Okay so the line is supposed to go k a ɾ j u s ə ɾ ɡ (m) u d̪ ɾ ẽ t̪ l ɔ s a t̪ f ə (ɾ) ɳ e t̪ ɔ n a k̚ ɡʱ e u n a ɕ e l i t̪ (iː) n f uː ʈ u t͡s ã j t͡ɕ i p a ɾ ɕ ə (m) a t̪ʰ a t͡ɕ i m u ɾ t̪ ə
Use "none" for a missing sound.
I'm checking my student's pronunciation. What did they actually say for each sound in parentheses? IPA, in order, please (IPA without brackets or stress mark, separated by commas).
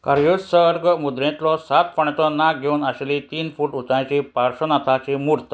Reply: m, none, iː, n